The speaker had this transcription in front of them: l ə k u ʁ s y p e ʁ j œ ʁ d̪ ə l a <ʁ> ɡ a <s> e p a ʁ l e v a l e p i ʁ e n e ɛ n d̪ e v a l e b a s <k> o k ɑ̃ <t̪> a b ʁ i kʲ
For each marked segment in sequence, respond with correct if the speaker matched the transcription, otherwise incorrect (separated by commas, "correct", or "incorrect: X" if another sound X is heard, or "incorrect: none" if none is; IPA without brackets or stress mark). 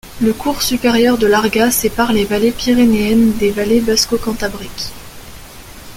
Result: correct, correct, correct, correct